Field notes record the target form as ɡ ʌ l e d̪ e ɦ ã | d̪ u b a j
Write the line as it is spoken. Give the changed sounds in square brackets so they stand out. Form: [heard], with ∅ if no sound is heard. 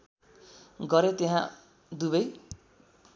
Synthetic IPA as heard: ɡ ʌ [ɾ] e [t̪] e ɦ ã | d̪ u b [ʌ] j